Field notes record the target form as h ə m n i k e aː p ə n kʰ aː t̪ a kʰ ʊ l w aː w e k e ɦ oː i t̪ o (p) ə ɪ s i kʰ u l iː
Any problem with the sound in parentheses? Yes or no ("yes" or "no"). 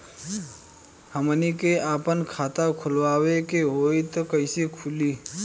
yes